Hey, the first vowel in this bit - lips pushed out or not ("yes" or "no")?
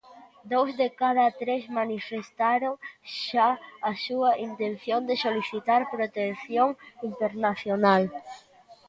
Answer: yes